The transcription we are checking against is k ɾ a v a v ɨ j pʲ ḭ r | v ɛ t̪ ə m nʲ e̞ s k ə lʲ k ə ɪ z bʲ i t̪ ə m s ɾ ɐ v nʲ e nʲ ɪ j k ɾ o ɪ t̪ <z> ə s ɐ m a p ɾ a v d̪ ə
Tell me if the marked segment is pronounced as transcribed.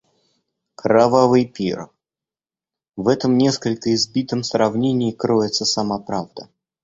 no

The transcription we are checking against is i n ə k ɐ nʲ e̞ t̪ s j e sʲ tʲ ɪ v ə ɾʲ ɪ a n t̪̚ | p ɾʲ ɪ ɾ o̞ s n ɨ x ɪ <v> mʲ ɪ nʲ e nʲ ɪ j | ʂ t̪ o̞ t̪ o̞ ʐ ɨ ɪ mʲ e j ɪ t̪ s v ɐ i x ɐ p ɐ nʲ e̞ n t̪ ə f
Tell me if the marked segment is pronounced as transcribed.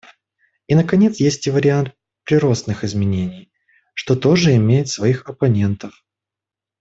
no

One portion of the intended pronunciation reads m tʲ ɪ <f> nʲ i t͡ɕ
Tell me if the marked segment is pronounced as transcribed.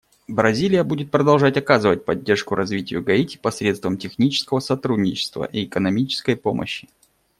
no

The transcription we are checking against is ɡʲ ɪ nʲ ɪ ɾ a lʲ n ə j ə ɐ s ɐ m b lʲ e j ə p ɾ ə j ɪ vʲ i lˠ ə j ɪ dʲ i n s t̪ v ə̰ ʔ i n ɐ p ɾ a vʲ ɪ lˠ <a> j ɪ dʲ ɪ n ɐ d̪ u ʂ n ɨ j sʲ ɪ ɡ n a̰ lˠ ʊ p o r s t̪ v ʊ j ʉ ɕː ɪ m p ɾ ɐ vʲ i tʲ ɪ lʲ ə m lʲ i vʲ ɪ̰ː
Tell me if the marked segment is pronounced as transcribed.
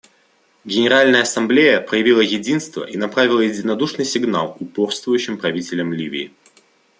no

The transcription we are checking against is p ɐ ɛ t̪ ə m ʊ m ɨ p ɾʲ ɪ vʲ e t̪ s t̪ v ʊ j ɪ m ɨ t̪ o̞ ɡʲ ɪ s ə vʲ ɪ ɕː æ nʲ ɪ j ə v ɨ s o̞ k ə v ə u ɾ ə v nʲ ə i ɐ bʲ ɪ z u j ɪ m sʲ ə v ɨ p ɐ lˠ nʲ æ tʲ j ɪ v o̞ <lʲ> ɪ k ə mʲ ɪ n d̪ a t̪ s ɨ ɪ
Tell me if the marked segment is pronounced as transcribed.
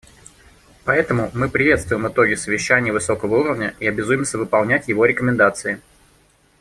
no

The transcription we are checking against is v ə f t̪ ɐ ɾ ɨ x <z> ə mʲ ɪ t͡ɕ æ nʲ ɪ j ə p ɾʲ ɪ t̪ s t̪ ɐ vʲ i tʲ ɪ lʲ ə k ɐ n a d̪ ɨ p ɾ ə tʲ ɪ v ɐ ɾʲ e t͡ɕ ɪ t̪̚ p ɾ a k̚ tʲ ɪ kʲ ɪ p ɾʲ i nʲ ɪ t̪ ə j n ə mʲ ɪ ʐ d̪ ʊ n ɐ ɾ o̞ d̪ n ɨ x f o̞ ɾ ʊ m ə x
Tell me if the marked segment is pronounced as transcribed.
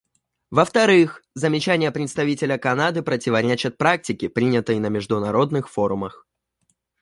yes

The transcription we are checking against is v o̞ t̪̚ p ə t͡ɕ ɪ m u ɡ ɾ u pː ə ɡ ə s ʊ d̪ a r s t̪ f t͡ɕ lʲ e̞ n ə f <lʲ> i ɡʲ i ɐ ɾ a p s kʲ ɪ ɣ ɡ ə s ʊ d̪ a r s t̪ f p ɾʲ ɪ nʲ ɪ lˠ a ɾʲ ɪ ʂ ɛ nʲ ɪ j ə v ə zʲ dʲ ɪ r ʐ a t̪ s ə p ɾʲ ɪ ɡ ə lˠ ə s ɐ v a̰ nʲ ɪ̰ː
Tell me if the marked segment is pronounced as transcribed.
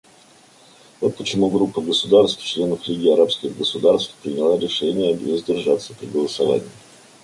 yes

